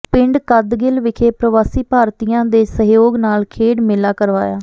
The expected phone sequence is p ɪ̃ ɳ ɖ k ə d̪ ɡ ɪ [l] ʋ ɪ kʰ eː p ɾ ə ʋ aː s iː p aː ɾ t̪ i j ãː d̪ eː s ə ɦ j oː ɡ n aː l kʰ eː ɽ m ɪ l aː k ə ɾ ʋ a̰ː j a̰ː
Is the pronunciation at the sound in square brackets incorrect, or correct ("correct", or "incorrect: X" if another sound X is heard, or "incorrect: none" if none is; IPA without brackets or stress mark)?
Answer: correct